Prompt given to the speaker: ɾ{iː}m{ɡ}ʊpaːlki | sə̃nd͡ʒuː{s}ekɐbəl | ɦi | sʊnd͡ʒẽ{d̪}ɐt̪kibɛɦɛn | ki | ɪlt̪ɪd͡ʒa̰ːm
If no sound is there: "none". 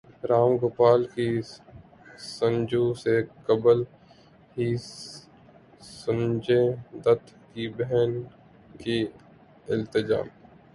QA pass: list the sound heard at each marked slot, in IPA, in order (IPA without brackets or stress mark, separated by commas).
aː, ɡ, s, d̪